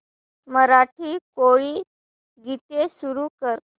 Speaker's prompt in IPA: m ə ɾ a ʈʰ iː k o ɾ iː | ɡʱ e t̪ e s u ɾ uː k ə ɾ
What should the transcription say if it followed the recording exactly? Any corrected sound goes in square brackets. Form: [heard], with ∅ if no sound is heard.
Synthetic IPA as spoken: m ə ɾ a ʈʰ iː k o [ɭ] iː | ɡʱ [i] t̪ e s u ɾ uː k ə ɾ